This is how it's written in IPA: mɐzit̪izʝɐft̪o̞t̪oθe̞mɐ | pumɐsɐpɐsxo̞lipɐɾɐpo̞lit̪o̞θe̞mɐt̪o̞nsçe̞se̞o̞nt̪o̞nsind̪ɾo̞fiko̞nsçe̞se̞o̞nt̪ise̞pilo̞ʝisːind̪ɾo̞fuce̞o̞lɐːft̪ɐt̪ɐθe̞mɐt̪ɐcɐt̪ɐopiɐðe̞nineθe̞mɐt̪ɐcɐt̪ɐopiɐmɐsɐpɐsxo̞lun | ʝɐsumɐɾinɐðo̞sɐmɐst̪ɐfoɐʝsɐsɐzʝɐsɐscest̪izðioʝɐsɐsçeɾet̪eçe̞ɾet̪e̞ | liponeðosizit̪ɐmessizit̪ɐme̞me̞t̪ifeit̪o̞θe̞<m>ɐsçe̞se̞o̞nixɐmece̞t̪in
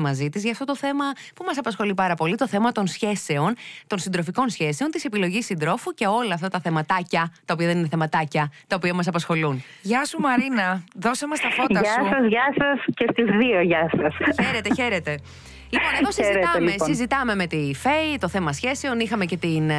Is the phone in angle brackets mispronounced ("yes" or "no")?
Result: no